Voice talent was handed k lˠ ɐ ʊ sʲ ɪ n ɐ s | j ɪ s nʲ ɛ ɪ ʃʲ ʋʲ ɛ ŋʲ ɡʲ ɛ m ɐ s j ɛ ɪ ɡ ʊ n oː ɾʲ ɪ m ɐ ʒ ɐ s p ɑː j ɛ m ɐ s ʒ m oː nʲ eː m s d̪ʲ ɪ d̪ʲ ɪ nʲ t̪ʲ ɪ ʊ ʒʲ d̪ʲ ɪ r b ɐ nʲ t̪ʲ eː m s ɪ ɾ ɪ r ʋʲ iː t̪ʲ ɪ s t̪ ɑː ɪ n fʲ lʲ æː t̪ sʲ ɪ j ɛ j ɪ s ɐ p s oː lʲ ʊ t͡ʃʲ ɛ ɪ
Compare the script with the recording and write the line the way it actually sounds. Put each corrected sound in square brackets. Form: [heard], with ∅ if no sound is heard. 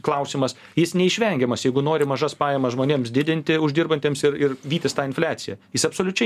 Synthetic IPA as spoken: k lˠ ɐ ʊ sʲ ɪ [m] ɐ s | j ɪ s nʲ ɛ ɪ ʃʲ ʋʲ ɛ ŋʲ ɡʲ ɛ m ɐ s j ɛ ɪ ɡ ʊ n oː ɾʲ ɪ m ɐ ʒ ɐ s p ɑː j ɛ m ɐ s ʒ m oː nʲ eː m s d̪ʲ ɪ d̪ʲ ɪ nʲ t̪ʲ ɪ ʊ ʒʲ d̪ʲ ɪ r b ɐ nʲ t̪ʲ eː m s ɪ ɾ ɪ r ʋʲ iː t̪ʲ ɪ s t̪ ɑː ɪ n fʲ lʲ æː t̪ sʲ ɪ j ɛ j ɪ s ɐ p s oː lʲ ʊ t͡ʃʲ ɛ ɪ

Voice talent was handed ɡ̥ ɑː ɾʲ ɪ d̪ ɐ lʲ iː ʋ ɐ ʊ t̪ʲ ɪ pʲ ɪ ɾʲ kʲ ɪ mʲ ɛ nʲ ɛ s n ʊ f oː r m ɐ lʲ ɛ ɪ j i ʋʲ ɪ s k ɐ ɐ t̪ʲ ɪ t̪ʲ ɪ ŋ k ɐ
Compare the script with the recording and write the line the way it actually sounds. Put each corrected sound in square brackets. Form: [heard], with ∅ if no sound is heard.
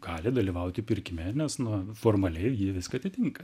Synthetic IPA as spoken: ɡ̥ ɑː [lʲ] ɪ d̪ ɐ lʲ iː ʋ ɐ ʊ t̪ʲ ɪ pʲ ɪ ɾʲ kʲ ɪ mʲ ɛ nʲ ɛ s n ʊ f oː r m ɐ lʲ ɛ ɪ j i ʋʲ ɪ s k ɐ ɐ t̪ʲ ɪ t̪ʲ ɪ ŋ k ɐ

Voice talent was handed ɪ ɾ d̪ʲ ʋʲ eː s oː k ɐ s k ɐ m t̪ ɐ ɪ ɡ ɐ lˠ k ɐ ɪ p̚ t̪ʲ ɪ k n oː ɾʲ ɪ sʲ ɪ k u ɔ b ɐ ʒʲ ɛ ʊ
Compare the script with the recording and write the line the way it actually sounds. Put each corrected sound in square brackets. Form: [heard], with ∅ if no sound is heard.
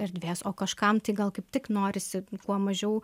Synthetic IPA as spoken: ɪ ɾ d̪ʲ ʋʲ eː s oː k ɐ [ʃ] k ɐ m t̪ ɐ ɪ ɡ ɐ lˠ k ɐ ɪ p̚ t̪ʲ ɪ k n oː ɾʲ ɪ sʲ ɪ k u ɔ [m] ɐ ʒʲ ɛ ʊ

